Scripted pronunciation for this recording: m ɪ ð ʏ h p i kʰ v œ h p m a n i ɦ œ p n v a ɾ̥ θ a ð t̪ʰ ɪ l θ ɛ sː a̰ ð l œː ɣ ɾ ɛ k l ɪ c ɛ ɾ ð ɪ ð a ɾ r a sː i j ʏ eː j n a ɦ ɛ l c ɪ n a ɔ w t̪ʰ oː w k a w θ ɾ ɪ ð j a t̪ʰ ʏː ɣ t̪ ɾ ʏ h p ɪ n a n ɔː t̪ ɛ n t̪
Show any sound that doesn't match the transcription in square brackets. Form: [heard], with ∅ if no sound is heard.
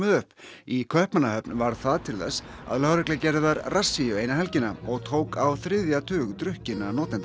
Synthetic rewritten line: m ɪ ð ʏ h p i kʰ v œ h p m a n [a] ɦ œ p n v a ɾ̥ θ a ð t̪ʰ ɪ l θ ɛ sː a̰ ð l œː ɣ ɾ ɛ k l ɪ c ɛ ɾ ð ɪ ð a ɾ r a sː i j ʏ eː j n a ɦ ɛ l c ɪ n a ɔ [ɣ] t̪ʰ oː w k a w θ ɾ ɪ ð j a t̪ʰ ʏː ɣ t̪ ɾ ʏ h [c] ɪ n a n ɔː t̪ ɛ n t̪